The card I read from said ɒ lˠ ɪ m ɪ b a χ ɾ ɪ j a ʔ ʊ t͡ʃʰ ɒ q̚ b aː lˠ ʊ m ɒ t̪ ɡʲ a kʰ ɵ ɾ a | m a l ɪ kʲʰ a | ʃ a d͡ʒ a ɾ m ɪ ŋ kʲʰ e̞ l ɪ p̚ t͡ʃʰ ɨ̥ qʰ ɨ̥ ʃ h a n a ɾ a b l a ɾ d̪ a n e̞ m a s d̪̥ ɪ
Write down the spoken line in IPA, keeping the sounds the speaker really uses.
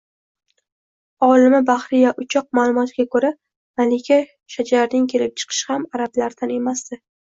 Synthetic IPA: ɒ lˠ ɪ m ɪ b a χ ɾ ɪ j a ʔ ʊ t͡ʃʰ ɒ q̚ m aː lˠ ʊ m ɒ t̪ ɡʲ a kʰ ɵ ɾ a | m a l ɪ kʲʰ a | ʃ a d͡ʒ a ɾ n ɪ ŋ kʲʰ e̞ l ɪ p̚ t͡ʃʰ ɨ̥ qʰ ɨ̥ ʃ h a m a ɾ a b l a ɾ d̪ a n e̞ m a s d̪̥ ɪ